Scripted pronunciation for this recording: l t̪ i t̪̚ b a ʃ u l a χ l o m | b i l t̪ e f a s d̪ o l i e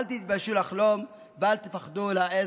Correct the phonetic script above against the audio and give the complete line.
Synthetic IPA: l t̪ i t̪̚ b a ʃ u l a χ l o m | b a l t̪ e f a χ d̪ u l a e

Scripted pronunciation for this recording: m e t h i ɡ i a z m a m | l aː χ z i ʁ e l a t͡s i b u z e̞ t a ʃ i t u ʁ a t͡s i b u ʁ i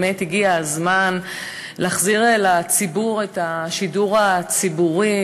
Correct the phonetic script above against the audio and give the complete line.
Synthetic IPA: m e t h i ɡ i a z m a n | l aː χ z i ʁ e l a t͡s i b u ʁ e̞ t a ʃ i d u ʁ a t͡s i b u ʁ i

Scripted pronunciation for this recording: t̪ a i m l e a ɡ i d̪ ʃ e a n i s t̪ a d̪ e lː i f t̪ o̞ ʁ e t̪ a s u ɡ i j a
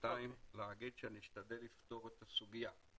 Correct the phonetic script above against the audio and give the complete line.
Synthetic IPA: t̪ a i m l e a ɡ i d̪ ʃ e a n i ʃ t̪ a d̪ e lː i f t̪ o̞ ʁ e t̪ a s u ɡ i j a

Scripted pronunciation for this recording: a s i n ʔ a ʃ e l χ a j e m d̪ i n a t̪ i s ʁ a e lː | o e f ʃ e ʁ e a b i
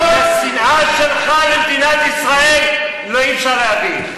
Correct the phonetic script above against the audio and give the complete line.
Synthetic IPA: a s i n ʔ a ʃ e l χ a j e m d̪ i n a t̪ i s ʁ a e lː | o i f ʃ a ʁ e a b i

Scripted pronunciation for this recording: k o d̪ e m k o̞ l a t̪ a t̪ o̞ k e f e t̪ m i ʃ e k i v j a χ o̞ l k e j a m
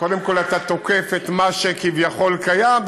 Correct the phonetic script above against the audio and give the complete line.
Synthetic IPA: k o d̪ e m k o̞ l a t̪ a t̪ o̞ k e f e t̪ m a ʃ e k i v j a χ o̞ l k a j a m

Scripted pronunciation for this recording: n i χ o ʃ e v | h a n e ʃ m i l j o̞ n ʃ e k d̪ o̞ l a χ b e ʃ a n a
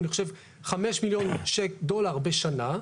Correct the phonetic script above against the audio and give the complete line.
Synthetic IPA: n i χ o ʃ e v | χ a m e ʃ m i l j o̞ n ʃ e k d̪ o̞ l a ʁ b e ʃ a n a

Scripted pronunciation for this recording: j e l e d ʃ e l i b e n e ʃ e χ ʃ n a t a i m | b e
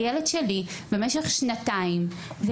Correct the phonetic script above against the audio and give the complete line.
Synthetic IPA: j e l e d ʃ e l i b e m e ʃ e χ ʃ n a t a i m | v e

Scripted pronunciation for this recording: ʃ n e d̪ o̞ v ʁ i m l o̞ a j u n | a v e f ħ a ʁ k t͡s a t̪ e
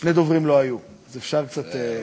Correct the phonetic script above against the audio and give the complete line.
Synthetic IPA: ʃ n e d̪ o̞ v ʁ i m l o̞ a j u | a z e f ʃ a ʁ k t͡s a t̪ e

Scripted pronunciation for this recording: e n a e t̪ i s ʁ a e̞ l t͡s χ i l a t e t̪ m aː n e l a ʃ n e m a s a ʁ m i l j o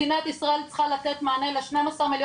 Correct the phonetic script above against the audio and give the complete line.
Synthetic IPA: i n a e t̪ i s ʁ a e̞ l t͡s χ a l a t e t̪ m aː n e l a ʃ n e m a s a ʁ m i l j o

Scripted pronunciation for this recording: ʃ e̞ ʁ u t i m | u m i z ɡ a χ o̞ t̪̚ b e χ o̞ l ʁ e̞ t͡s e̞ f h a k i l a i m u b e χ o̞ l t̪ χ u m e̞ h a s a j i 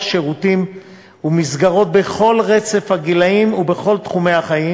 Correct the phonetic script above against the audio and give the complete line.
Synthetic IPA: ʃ e̞ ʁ u t i m | u m i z ɡ a ʁ o̞ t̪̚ b e χ o̞ l ʁ e̞ t͡s e̞ f h a ɡ i l a i m u b e χ o̞ l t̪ χ u m e̞ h a χ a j i

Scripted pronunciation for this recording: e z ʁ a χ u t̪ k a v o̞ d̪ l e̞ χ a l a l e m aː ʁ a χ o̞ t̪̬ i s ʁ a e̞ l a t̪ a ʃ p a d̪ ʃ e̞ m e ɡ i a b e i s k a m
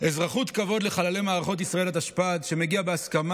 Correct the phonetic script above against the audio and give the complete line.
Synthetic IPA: e z ʁ a χ u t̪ k a v o̞ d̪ l e̞ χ a l a l e m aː ʁ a χ o̞ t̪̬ i s ʁ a e̞ l a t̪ a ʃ p a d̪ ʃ e̞ m e ɡ i a b e a s k a m

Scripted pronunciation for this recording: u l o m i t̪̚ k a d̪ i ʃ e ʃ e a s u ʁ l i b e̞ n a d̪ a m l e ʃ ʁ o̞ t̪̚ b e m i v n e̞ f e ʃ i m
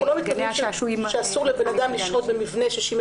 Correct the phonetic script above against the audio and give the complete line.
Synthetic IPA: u l o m i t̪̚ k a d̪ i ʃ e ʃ e a s u ʁ l e b e̞ n a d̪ a m l i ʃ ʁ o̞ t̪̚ b e m i v n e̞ ʃ e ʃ i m

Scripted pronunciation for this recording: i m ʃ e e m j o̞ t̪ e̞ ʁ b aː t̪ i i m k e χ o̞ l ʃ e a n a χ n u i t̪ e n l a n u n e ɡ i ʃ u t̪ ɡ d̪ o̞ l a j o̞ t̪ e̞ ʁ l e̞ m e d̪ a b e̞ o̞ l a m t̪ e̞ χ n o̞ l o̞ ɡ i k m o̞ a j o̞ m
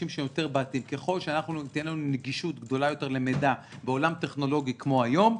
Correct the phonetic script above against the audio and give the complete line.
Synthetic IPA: i m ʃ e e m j o̞ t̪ e̞ ʁ b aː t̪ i i m k e χ o̞ l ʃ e a n a χ n u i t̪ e n l a n u n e ɡ i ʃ u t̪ ɡ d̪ o̞ l a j o̞ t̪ e̞ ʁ l e̞ m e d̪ a b e̞ o̞ l a m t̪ e̞ χ n o̞ l o̞ ɡ i k m o̞ a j o̞ m

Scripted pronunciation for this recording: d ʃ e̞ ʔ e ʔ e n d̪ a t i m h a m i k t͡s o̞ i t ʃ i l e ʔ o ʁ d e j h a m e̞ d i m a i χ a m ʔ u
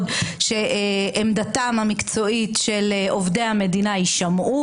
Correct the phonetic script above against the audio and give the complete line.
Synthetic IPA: d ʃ e̞ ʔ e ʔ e m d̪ a t a m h a m i k t͡s o̞ i t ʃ e l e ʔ o v d e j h a m e̞ d i n a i ʃ a m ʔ u

